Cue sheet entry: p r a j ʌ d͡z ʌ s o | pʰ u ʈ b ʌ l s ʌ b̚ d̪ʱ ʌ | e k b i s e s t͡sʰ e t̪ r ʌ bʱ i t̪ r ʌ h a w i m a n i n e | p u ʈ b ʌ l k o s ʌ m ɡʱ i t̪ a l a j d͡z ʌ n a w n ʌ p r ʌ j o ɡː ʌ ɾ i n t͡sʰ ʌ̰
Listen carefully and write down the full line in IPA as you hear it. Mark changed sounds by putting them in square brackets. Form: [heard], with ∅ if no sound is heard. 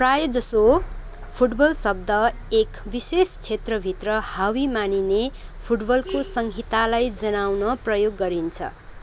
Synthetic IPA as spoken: p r a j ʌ d͡z ʌ s o | pʰ u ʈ b ʌ l s ʌ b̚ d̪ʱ ʌ | e k b i s e s t͡sʰ e t̪ r ʌ bʱ i t̪ r ʌ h a w i m a n i n e | [pʰ] u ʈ b ʌ l k o s ʌ [ŋ] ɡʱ i t̪ a l a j d͡z ʌ n a w n ʌ p r ʌ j o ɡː ʌ ɾ i n t͡sʰ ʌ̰